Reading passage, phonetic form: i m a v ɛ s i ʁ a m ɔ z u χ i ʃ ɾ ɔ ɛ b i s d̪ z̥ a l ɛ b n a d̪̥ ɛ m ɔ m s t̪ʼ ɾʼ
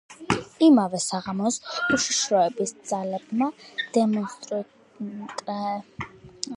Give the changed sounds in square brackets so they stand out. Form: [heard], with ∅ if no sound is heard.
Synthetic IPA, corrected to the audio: i m a v ɛ s [a] ʁ a m ɔ [s] u [ʃ] i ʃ ɾ ɔ ɛ b i s d̪ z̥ a l ɛ b [m] a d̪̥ ɛ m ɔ [n] s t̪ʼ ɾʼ